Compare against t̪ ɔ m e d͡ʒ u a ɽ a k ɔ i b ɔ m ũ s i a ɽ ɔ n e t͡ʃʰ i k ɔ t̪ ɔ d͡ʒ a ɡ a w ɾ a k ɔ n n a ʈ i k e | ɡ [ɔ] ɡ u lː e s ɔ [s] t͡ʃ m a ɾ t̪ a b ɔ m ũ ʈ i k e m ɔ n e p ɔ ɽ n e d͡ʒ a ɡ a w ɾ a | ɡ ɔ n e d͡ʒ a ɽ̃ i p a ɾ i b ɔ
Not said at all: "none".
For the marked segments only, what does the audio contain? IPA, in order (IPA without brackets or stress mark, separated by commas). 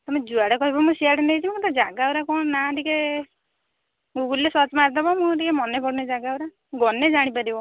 u, none